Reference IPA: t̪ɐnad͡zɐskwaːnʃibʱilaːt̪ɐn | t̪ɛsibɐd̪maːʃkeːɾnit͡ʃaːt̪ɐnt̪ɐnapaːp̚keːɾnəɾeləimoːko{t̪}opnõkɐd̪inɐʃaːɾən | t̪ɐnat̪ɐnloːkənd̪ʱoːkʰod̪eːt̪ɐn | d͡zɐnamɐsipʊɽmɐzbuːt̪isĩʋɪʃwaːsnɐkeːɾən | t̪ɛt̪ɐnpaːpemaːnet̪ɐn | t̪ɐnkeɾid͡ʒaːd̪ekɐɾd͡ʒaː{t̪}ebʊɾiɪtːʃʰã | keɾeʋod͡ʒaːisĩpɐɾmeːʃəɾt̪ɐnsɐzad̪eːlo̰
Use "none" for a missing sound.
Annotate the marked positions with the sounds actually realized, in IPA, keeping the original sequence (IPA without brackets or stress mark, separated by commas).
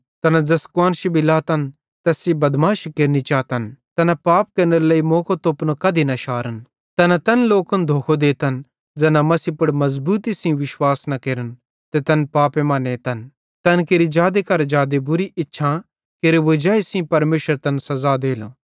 t̪, d̪